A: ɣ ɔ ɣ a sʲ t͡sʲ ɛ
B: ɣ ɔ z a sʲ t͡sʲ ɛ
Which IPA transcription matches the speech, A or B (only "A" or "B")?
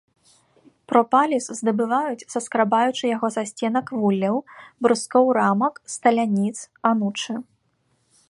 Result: B